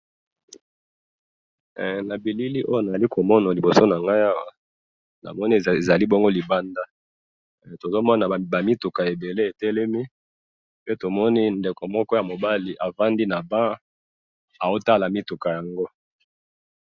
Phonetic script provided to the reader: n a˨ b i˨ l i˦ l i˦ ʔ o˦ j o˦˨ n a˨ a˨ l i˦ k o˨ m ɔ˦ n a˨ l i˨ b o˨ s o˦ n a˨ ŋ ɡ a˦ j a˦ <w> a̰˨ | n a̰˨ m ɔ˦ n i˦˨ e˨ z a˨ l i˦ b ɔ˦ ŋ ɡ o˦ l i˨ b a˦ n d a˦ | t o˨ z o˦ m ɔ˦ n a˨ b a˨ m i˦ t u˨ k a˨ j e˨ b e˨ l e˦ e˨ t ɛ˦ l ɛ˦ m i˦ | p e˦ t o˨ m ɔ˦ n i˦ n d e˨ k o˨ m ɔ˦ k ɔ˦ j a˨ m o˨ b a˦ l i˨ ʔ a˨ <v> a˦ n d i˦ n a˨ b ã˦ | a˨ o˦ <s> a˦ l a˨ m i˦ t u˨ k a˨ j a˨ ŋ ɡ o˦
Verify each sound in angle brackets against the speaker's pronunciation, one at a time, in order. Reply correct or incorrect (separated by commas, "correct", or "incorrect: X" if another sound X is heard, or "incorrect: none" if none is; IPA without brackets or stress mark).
correct, correct, incorrect: t